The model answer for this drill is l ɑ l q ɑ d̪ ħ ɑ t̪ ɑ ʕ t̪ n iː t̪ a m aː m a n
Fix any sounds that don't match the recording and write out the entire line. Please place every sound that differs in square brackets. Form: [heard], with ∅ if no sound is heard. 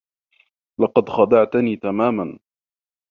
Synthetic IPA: l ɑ [∅] q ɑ d̪ [x] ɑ [d̪] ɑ ʕ t̪ n iː t̪ a m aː m a n